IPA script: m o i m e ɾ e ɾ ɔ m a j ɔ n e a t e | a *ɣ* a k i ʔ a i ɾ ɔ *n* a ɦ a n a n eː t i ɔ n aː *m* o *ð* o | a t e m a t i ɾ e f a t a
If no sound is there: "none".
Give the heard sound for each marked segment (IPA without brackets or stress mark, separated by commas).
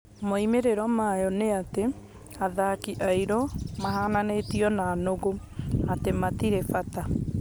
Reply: ð, m, n, ɣ